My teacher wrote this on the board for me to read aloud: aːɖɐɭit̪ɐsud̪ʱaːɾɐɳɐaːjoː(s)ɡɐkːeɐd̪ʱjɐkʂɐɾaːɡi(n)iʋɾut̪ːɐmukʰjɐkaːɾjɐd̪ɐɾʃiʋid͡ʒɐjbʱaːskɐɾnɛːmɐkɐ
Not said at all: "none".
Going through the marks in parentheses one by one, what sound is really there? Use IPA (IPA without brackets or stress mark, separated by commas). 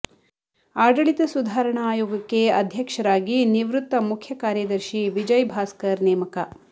none, n